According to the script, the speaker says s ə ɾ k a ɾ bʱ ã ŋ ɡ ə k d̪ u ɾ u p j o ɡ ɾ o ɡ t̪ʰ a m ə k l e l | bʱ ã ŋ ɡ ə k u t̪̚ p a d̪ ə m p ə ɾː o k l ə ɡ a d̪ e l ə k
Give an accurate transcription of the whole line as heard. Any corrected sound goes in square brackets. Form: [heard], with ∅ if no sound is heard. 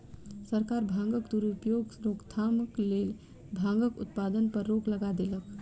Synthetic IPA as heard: s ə ɾ k a ɾ bʱ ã ŋ ɡ ə k d̪ u ɾ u p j o ɡ ɾ o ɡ t̪ʰ a m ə k l e l | bʱ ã ŋ ɡ ə k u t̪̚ p a d̪ ə [n] p ə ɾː o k l ə ɡ a d̪ e l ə k